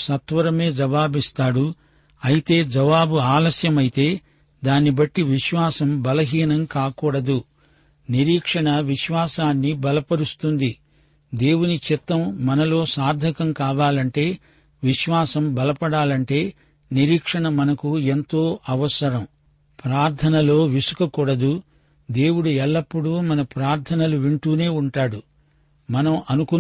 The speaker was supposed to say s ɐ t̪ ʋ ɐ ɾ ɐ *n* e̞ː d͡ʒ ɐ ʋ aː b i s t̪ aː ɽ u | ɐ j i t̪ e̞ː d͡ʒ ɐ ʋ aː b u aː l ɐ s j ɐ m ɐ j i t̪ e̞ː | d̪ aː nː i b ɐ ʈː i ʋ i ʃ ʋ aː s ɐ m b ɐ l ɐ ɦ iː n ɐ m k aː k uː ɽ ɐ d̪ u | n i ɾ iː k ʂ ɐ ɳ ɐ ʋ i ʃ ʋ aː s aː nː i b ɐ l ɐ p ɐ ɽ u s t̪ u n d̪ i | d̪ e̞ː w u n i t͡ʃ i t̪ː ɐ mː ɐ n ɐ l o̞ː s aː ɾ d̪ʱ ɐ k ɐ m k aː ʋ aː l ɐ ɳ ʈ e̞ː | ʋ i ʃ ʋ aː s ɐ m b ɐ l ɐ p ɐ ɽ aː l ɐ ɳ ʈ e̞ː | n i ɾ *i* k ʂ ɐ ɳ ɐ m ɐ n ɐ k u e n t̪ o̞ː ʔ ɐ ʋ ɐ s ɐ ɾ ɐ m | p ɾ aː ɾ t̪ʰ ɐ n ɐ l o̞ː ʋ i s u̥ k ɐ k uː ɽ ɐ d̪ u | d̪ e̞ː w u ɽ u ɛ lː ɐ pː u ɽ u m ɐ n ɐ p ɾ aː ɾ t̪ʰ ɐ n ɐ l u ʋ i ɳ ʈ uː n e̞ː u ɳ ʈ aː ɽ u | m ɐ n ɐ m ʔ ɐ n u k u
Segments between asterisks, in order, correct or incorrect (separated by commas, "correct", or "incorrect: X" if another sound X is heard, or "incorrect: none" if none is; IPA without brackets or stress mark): incorrect: m, incorrect: iː